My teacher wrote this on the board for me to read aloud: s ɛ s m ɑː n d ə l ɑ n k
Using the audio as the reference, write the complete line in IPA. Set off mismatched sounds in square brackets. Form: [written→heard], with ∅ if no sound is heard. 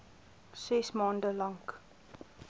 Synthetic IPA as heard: s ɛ s m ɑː n d ə l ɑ [n→ŋ] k